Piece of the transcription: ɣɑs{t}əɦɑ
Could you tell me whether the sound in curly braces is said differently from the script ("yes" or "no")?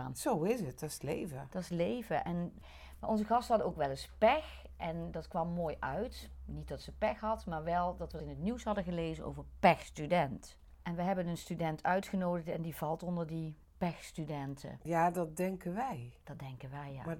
no